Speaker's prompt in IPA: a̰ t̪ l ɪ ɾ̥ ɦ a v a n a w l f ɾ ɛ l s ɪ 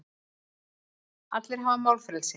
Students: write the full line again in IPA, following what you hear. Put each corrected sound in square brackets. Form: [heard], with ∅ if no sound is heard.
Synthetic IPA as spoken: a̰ t̪ l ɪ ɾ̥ ɦ a v a [m] a w l f ɾ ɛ l s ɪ